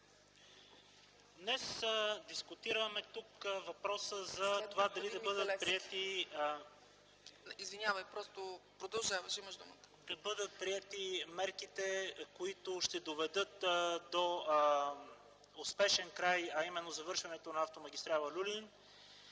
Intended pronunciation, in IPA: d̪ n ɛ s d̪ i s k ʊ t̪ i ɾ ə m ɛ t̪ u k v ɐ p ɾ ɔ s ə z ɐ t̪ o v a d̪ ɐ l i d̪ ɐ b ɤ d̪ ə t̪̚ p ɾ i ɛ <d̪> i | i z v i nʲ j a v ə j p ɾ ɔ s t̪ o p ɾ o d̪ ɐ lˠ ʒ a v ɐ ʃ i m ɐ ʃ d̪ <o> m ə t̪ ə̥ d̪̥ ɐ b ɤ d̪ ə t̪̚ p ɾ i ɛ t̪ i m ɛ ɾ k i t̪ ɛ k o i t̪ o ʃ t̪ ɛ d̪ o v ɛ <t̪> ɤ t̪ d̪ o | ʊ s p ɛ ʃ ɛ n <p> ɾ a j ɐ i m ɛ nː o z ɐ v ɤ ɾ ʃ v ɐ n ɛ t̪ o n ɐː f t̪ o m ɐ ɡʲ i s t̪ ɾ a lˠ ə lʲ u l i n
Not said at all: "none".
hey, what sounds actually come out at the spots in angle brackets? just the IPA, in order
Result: t̪, u, d̪, k

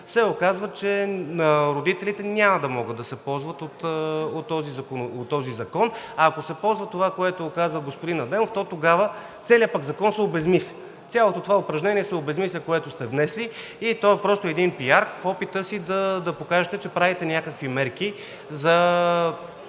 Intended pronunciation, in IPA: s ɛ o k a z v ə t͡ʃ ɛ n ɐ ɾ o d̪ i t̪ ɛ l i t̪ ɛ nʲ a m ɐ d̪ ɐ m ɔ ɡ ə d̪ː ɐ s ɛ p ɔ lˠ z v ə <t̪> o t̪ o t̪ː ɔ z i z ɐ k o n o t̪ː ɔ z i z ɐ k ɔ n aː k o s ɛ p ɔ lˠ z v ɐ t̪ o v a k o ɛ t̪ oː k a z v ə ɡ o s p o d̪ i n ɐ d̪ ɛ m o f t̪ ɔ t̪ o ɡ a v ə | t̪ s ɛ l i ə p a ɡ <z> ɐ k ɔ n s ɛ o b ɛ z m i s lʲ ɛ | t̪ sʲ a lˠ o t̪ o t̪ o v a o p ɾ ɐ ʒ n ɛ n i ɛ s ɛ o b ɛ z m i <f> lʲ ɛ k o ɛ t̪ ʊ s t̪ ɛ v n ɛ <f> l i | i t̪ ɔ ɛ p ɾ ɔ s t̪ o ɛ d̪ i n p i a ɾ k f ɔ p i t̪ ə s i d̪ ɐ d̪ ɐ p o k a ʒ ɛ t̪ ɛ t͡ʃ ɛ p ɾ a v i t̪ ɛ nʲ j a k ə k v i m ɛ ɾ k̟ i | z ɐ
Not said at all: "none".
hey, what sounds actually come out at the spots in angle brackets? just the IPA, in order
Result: t̪, z, s, s

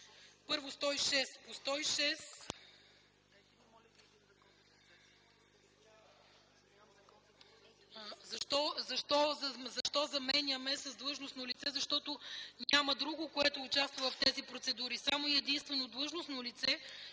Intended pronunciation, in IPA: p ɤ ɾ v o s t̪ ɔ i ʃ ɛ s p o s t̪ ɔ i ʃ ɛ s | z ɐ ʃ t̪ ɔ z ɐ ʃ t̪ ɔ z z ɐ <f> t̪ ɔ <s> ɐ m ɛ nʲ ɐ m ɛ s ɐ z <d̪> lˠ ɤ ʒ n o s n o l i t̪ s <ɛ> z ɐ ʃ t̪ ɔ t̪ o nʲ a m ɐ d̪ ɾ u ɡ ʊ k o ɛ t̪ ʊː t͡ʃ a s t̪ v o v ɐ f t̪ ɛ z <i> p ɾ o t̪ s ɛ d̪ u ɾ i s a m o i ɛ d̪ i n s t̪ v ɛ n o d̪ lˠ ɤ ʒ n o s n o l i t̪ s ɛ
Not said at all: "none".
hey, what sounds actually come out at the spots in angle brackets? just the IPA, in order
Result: ʃ, z, d̪, ɛ, i

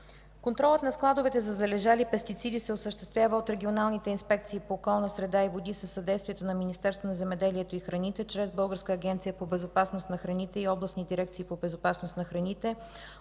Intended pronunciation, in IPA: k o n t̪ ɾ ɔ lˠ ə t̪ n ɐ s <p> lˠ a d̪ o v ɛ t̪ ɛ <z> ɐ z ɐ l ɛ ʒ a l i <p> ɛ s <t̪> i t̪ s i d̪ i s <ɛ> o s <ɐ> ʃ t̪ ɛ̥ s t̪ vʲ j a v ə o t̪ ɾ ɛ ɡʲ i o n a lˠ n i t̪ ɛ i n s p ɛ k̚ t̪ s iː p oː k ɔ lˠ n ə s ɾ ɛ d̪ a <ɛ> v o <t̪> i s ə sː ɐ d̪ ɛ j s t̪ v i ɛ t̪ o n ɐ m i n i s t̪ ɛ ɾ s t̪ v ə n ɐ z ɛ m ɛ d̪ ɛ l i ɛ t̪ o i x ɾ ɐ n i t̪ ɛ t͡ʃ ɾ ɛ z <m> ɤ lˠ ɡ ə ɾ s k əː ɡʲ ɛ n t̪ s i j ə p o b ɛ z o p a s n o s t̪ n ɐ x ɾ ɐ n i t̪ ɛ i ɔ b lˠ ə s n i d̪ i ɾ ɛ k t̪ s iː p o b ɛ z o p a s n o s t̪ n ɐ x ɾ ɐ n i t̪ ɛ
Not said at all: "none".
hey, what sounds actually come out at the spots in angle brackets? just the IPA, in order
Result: k, z, p, t̪, ɛ, ə, i, d̪, b

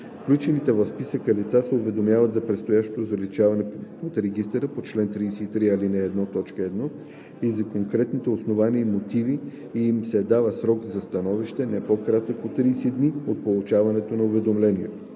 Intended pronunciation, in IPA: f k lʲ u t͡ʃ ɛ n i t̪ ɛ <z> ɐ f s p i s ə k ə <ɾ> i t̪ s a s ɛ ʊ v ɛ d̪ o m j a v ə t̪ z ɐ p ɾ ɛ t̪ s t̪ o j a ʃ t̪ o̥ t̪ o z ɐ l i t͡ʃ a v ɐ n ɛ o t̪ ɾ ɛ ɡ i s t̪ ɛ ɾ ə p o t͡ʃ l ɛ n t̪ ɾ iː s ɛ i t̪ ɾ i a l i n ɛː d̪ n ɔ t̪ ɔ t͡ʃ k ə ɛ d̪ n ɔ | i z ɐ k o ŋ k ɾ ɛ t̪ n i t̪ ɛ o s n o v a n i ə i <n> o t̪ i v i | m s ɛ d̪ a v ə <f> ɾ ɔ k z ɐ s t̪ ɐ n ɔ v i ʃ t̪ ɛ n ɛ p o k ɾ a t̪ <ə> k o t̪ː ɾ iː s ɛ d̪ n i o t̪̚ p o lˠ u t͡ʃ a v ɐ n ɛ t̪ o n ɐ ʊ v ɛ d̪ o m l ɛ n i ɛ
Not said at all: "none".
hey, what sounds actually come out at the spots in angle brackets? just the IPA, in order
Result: v, l, m, s, ə

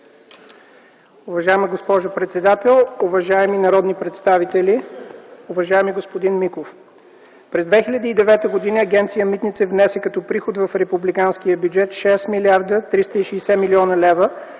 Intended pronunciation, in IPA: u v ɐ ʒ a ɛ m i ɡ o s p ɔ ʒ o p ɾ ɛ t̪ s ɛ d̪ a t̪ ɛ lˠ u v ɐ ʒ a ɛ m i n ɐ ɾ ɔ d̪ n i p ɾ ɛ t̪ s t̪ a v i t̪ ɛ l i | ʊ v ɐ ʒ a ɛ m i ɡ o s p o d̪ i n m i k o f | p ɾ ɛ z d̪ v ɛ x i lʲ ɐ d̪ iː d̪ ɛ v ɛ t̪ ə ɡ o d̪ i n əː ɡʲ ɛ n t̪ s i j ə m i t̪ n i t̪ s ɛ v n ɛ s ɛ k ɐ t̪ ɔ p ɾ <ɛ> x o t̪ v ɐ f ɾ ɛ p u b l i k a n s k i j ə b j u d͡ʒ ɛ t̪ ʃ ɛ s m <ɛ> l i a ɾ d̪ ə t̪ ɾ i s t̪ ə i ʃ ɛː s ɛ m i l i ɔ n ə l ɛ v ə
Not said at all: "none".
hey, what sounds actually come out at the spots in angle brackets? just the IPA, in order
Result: i, i

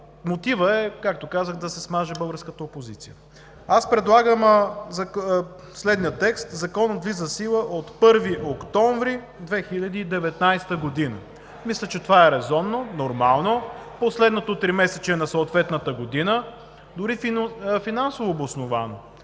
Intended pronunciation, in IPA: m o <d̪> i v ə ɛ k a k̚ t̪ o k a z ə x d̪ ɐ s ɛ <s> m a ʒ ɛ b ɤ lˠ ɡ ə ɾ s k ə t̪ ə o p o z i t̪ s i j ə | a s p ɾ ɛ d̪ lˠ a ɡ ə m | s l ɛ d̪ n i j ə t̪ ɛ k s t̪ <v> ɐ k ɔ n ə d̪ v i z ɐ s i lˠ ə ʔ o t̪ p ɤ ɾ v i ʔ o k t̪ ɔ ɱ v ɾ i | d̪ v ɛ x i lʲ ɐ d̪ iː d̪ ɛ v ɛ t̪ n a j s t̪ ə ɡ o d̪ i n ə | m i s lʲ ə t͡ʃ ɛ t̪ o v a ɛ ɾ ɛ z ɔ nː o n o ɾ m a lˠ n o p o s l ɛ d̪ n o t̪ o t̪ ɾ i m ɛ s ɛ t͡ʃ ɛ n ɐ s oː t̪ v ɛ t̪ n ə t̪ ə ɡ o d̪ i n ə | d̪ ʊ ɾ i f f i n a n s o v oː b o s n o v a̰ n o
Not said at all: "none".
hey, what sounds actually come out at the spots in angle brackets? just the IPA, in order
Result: t̪, s, z

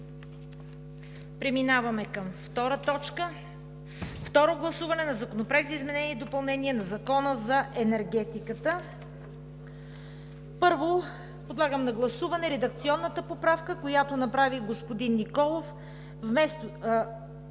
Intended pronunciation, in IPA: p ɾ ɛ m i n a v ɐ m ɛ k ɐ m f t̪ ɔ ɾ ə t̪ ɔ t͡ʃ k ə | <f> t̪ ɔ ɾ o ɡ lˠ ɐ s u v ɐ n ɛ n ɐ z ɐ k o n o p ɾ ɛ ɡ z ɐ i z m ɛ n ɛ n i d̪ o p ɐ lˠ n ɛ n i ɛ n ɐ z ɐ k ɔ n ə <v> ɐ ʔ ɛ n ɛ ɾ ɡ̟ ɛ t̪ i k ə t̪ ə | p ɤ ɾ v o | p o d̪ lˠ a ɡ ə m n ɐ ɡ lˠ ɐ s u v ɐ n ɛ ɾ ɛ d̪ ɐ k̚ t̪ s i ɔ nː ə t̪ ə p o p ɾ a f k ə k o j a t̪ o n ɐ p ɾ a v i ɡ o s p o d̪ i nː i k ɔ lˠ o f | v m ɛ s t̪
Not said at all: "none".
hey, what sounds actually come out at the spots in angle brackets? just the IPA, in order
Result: f, z

